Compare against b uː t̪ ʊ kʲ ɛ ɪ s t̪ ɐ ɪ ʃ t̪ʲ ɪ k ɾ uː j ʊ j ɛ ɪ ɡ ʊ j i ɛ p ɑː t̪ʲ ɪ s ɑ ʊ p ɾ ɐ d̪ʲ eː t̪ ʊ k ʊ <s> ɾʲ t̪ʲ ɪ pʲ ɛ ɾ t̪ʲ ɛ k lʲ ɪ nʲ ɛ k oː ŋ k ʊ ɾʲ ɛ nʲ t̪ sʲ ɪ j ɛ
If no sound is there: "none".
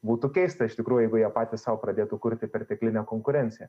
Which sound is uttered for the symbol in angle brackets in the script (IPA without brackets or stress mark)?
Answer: none